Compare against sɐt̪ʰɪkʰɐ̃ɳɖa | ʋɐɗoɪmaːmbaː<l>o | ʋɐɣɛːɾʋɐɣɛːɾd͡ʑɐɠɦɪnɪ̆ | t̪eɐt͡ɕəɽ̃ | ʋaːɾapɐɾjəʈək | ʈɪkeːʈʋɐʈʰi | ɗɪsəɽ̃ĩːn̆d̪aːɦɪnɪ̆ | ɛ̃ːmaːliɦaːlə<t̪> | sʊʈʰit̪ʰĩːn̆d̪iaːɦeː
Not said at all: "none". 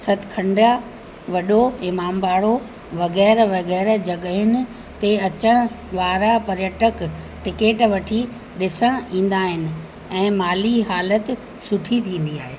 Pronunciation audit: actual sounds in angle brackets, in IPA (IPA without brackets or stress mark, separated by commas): ɽ, t̪